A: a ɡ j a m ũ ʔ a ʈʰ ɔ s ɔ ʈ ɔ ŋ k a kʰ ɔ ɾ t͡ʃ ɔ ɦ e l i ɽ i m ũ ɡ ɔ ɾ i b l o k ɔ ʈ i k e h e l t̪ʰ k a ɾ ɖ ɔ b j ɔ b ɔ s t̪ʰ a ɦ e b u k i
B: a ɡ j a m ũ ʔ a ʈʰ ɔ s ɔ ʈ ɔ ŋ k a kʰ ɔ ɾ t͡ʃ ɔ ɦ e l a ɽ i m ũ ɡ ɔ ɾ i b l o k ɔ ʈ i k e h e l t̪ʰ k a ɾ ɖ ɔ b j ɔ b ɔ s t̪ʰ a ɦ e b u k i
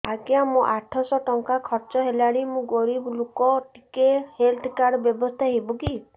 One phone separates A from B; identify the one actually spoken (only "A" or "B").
B